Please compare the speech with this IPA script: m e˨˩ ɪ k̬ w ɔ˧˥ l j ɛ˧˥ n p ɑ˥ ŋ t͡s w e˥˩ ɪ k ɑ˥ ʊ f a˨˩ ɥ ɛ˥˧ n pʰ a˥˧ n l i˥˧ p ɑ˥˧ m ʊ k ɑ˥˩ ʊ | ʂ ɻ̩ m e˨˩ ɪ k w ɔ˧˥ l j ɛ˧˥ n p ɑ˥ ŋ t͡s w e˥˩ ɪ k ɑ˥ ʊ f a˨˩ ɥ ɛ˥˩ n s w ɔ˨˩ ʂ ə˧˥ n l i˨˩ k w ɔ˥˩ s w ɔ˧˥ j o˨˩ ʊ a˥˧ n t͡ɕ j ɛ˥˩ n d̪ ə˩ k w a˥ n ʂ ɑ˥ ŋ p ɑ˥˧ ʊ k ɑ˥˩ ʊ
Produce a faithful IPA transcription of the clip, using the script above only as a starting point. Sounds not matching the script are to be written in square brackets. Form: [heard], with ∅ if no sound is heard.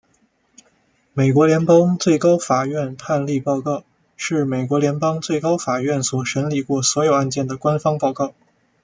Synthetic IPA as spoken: m e˨˩ ɪ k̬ w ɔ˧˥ l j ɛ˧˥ n p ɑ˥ ŋ t͡s w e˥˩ ɪ k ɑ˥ ʊ f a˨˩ ɥ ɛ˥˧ n pʰ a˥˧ n l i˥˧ p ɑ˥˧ [∅] ʊ k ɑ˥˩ ʊ | ʂ ɻ̩ m e˨˩ ɪ k w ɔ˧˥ l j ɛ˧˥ n p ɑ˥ ŋ t͡s w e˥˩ ɪ k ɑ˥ ʊ f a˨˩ ɥ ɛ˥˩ n s w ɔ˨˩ ʂ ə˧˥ n l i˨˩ k w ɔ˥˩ s w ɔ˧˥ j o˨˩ ʊ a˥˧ n t͡ɕ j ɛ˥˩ n d̪ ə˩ k w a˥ n [f] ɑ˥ ŋ p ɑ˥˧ ʊ k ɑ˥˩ ʊ